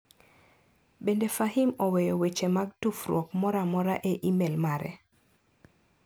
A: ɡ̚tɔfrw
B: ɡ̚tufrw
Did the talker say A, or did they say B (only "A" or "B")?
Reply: B